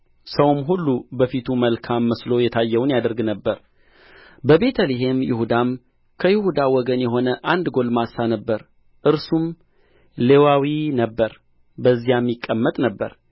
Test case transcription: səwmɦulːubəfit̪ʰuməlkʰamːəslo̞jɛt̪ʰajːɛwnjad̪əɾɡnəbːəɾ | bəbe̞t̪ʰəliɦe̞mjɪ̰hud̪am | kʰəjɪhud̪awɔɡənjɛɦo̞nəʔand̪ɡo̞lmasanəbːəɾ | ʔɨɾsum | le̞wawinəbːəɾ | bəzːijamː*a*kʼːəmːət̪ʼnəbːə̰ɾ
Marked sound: incorrect: i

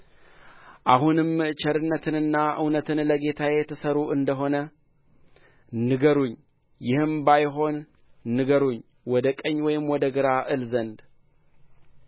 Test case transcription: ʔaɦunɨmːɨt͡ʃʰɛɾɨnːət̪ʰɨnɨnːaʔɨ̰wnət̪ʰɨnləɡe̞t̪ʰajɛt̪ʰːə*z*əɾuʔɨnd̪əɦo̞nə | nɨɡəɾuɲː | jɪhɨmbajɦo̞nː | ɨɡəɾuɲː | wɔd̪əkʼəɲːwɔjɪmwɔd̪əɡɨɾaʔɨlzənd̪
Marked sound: incorrect: s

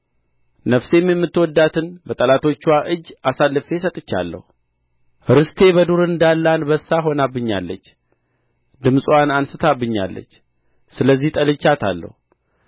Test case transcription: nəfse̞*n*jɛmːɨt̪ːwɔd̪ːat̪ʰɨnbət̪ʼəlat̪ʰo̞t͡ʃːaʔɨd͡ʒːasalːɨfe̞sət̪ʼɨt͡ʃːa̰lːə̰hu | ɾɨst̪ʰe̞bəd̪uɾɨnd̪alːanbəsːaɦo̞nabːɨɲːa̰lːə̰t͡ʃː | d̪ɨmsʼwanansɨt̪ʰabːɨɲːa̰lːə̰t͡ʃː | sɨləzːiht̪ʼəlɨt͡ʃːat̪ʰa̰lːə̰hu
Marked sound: incorrect: m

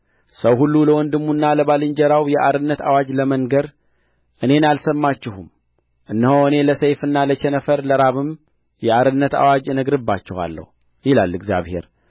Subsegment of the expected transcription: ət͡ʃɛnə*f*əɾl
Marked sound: correct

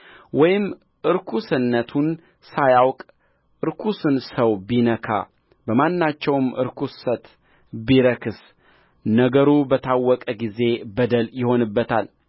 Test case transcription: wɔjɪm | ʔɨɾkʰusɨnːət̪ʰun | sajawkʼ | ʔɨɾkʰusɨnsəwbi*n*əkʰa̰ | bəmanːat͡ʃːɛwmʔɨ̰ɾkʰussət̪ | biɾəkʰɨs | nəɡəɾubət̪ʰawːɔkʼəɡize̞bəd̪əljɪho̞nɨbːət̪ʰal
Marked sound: correct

